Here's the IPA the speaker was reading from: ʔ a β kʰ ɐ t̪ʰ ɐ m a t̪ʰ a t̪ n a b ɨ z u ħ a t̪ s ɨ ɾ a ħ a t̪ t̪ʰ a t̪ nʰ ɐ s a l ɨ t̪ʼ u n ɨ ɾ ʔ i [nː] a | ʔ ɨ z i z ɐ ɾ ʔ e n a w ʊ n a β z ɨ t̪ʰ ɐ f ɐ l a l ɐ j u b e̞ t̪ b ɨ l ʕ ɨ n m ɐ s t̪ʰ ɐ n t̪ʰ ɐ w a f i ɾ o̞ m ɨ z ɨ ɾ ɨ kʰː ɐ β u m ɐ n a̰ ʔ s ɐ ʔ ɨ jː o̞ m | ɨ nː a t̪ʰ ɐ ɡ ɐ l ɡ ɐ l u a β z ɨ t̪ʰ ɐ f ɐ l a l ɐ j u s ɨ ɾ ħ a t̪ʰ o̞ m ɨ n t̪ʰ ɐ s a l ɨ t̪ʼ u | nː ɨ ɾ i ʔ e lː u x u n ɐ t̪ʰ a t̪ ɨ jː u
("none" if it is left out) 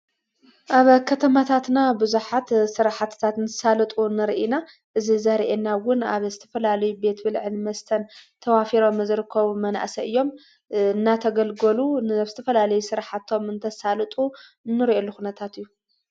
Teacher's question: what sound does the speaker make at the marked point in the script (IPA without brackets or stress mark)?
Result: n